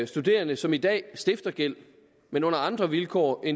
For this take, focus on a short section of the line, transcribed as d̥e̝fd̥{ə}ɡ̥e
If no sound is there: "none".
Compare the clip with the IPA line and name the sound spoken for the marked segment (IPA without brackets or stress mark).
ɐ